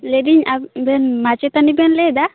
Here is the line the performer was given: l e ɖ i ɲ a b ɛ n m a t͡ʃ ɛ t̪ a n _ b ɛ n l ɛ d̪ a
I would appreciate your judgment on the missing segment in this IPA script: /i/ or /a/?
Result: i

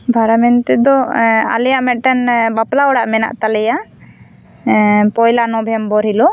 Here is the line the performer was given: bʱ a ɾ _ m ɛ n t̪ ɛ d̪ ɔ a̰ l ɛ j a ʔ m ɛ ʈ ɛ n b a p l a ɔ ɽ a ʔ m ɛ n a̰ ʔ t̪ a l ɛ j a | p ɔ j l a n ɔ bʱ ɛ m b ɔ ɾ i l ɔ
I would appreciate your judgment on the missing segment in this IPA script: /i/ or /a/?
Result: a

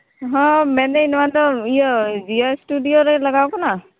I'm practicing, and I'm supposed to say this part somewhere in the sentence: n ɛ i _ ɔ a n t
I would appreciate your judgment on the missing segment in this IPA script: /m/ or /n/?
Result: n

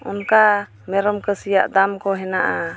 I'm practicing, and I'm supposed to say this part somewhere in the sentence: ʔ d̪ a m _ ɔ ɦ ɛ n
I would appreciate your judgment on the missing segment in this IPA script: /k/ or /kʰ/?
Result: k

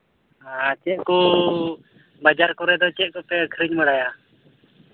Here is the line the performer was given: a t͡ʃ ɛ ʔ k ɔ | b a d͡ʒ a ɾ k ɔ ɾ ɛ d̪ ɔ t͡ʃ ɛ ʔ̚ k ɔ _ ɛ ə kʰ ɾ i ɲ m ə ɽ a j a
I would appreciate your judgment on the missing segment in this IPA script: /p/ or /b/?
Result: p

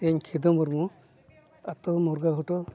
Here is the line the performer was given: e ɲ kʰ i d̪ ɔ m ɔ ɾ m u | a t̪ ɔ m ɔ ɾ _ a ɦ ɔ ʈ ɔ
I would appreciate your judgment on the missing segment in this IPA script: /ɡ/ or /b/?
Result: ɡ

